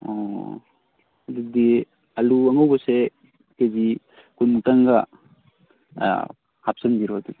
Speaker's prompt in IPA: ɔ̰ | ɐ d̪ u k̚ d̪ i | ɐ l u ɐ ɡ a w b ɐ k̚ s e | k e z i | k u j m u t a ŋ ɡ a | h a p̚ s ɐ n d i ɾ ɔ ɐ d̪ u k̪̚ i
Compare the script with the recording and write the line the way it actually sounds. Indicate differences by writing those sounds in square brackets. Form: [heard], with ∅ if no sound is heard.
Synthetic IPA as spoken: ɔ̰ | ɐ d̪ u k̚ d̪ i | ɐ l u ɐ [ŋ] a w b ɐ [∅] s e | k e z i | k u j m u t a ŋ ɡ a | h a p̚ s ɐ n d i ɾ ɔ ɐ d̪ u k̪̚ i

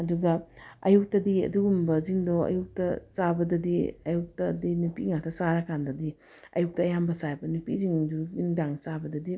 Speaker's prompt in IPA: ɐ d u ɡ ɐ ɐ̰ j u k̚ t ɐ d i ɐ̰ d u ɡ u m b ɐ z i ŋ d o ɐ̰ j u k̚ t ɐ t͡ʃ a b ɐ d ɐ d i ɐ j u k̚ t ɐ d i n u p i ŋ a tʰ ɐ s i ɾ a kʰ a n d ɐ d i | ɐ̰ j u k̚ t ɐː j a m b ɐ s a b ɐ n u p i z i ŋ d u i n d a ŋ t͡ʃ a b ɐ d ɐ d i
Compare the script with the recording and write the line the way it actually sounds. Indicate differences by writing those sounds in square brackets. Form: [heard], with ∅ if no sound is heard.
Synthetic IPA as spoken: ɐ d u ɡ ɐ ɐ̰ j u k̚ t ɐ d i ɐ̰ d u ɡ u m b ɐ z i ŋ d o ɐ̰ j u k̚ t ɐ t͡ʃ a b ɐ d ɐ d i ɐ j u k̚ t ɐ d i n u p i ŋ a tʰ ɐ s [a] ɾ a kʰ a n d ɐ d i | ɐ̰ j u k̚ t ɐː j a m b ɐ s a b ɐ n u p i z i ŋ d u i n d a ŋ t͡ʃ a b ɐ d ɐ d i

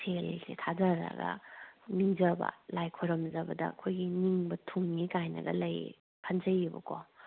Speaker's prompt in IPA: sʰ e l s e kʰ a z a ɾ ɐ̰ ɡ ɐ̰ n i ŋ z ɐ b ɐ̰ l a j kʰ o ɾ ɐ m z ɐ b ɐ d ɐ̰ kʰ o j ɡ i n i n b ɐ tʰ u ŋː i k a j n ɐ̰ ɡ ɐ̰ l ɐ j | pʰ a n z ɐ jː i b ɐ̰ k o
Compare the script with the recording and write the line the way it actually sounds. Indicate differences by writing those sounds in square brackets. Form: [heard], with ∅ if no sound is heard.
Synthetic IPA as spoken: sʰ e l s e [tʰ] a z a ɾ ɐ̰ ɡ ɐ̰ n i ŋ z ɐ b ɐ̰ l a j kʰ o ɾ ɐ m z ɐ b ɐ d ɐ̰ kʰ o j ɡ i n i [ŋ] b ɐ tʰ u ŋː i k a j n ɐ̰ ɡ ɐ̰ l ɐ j | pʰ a n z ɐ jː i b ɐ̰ k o

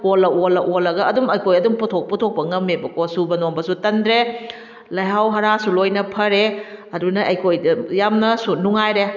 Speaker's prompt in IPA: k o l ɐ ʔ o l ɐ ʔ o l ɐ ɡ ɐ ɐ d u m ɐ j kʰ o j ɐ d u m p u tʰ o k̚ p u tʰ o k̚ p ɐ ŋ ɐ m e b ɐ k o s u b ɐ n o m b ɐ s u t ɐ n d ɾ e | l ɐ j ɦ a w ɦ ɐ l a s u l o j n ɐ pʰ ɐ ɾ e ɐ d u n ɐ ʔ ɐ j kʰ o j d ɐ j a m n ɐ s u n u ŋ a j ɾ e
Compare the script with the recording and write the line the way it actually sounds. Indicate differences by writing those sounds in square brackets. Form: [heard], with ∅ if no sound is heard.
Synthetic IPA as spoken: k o l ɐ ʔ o l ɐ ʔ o l ɐ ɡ ɐ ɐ d u m ɐ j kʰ o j ɐ d u m p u tʰ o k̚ p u tʰ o k̚ p ɐ ŋ ɐ m e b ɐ k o s u b ɐ n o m b ɐ s u t ɐ n d ɾ e | l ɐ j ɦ a w ɦ ɐ [ɾ] a s u l o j n ɐ pʰ ɐ ɾ e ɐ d u n ɐ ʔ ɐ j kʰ o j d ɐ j a m n ɐ s u n u ŋ a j ɾ e

